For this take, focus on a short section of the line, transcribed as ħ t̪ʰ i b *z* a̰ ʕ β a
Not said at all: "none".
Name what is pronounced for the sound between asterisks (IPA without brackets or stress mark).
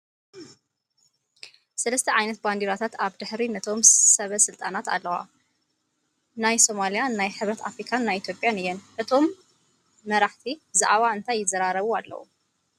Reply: z